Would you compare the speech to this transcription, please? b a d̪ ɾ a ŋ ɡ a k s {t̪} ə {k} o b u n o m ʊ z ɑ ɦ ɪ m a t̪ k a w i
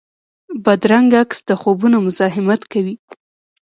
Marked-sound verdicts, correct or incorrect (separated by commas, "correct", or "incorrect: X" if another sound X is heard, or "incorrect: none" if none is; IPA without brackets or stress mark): incorrect: d̪, incorrect: x